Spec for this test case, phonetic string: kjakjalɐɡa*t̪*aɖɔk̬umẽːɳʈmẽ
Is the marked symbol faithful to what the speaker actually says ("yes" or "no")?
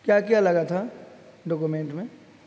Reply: no